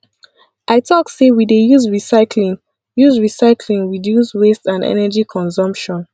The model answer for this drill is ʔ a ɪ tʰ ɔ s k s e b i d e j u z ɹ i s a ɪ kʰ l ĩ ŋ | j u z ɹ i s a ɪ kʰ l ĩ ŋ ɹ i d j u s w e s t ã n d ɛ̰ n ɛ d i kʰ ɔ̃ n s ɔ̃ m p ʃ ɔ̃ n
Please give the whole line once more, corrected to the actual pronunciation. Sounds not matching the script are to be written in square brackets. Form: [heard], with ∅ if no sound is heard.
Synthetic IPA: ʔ a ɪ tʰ ɔ [∅] k s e [w] i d e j u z ɹ i s a ɪ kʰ l ĩ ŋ | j u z ɹ i s a ɪ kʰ l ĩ ŋ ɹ i d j u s w e s t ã n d ɛ̰ n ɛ [d͡ʒ] i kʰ ɔ̃ n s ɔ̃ m p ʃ ɔ̃ n